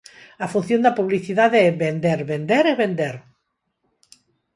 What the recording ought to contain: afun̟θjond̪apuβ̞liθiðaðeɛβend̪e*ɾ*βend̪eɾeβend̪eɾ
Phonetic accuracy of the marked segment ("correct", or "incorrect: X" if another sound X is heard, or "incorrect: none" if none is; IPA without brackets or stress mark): correct